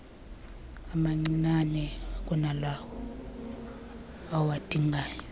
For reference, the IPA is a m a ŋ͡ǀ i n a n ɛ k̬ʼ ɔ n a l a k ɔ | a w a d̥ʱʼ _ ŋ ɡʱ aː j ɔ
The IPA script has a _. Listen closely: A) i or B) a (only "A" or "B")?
A